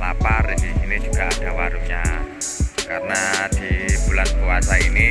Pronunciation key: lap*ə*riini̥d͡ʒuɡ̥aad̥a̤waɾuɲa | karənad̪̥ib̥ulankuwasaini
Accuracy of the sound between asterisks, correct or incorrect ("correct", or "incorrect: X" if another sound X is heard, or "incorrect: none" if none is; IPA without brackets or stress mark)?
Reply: incorrect: a